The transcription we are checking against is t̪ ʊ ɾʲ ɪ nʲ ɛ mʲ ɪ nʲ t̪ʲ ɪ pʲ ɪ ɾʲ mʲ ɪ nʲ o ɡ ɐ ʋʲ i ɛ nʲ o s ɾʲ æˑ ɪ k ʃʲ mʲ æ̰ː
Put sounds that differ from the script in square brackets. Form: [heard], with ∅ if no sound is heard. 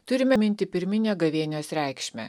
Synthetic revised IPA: t̪ ʊ ɾʲ ɪ [mʲ] ɛ mʲ ɪ nʲ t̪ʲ ɪ pʲ ɪ ɾʲ mʲ ɪ nʲ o ɡ ɐ ʋʲ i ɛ nʲ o s ɾʲ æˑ ɪ k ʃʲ mʲ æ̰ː